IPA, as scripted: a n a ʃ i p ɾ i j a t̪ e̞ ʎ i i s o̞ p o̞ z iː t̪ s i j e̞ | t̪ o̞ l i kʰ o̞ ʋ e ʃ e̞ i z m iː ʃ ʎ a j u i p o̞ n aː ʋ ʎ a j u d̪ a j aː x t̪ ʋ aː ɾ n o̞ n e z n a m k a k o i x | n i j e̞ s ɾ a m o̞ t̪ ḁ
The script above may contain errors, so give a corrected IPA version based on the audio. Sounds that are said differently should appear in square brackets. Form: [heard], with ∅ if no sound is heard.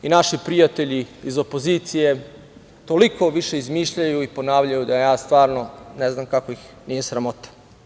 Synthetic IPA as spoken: [i] n a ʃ i p ɾ i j a t̪ e̞ ʎ i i [z] o̞ p o̞ z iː t̪ s i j e̞ | t̪ o̞ l i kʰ o̞ ʋ [i] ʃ e̞ i z m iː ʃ ʎ a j u i p o̞ n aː ʋ ʎ a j u d̪ a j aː [s] t̪ ʋ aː ɾ n o̞ n e z n a m k a k o i x | n i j e̞ s ɾ a m o̞ t̪ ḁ